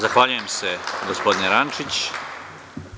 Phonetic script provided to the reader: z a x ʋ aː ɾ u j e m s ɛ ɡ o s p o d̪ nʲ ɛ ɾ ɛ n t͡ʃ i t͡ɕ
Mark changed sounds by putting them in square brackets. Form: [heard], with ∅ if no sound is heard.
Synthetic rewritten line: z a x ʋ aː [ʎ] u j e m s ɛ ɡ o s p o d̪ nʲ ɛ ɾ [a] n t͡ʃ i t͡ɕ